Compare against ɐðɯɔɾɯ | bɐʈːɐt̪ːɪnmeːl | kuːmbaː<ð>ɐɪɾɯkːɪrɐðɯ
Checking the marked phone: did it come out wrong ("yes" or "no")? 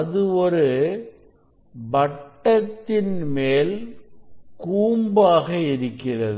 yes